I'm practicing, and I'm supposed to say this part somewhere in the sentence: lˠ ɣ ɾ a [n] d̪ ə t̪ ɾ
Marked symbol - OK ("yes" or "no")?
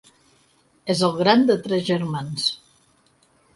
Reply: yes